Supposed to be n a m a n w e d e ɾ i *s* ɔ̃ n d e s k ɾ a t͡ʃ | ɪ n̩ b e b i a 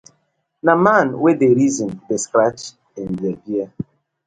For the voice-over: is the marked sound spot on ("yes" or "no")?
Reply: no